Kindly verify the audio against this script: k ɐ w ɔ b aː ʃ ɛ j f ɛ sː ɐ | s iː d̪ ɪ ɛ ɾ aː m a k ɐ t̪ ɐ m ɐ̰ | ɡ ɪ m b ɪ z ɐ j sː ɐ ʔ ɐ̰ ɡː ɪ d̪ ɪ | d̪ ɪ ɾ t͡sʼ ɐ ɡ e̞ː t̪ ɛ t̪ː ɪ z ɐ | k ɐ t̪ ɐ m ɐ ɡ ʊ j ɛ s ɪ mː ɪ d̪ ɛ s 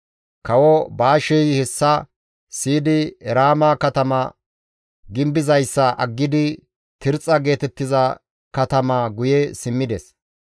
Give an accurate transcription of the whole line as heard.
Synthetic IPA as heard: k ɐ w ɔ b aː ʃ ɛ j h ɛ sː ɐ | s iː d̪ ɪ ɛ ɾ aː m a k ɐ t̪ ɐ m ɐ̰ | ɡ ɪ m b ɪ z ɐ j sː ɐ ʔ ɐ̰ ɡː ɪ d̪ ɪ | t̪ ɪ ɾ t͡sʼ ɐ ɡ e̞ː t̪ ɛ t̪ː ɪ z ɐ | k ɐ t̪ ɐ m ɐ ɡ ʊ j ɛ s ɪ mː ɪ d̪ ɛ s